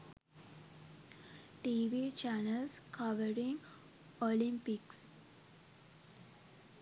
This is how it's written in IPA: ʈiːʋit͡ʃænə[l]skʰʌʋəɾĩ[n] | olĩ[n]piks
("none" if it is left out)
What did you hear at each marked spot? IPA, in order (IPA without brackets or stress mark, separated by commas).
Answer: l, ŋ, m